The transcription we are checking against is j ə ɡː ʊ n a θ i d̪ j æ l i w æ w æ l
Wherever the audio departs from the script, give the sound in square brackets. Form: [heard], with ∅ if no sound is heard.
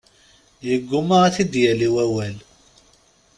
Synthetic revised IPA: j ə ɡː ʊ [m] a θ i d̪ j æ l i w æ w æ l